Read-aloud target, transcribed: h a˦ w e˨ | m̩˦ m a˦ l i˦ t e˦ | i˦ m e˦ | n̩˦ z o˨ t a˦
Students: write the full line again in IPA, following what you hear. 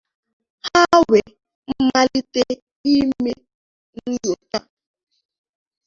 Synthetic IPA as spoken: h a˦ w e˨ | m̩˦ m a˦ l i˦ t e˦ | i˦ m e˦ | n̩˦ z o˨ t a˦